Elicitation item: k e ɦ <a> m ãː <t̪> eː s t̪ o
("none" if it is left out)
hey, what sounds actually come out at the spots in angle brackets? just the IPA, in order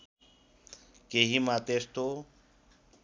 i, t̪

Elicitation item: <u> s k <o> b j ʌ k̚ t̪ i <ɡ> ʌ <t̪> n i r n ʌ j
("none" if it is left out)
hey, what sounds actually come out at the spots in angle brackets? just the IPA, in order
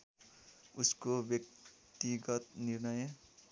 u, o, ɡ, t̪

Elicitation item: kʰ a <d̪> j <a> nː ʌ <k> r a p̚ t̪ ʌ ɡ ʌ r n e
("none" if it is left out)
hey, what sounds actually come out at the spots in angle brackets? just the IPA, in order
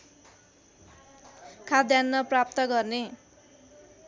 d̪, a, p

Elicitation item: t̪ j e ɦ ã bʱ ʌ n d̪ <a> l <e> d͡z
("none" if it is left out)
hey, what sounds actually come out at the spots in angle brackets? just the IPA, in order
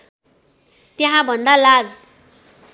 a, a

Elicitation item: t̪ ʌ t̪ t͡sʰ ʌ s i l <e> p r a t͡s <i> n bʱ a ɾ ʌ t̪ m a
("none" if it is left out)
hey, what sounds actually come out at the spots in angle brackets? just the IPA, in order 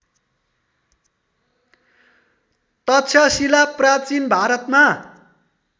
a, i

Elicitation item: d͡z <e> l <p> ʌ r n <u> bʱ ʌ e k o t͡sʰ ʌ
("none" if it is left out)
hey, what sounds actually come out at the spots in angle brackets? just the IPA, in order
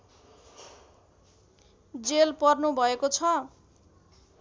e, p, u

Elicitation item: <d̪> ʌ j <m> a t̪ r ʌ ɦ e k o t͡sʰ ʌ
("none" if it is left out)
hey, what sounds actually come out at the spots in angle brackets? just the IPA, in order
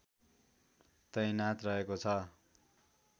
t̪, n

